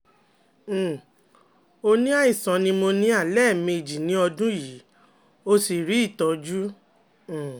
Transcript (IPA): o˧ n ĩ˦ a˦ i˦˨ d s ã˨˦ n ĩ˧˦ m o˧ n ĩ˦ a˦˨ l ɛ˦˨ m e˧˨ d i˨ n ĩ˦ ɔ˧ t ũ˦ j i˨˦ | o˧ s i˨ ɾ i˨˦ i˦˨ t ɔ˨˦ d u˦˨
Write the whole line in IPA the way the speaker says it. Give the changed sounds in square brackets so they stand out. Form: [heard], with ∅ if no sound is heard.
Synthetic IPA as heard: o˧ n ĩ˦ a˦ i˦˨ [∅] s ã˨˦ n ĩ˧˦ m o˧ n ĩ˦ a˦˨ l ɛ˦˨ m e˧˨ [d͡ʒ] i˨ n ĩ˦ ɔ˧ [d] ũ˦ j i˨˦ | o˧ s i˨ ɾ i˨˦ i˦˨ t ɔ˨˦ [d͡ʒ] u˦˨